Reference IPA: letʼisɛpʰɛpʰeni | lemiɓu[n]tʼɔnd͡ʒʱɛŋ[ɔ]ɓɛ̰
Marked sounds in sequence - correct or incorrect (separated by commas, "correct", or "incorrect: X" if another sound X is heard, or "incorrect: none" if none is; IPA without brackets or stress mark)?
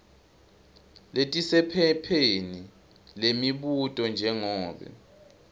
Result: incorrect: none, incorrect: ɔː